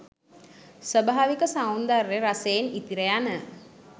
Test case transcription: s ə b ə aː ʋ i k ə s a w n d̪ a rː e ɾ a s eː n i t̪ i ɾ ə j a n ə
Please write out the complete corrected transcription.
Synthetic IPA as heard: s ə b a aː ʋ i k ə s a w n d̪ a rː e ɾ a s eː n i t̪ i ɾ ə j a n ə